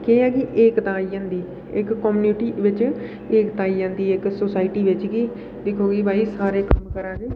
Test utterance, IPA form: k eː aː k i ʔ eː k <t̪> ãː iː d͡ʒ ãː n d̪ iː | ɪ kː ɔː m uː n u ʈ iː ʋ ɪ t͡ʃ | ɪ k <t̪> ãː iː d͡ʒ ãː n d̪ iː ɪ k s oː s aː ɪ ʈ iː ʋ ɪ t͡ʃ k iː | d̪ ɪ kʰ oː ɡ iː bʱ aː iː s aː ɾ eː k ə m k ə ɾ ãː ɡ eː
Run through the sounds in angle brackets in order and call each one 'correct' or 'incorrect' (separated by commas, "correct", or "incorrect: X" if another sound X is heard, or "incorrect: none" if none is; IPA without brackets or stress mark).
correct, correct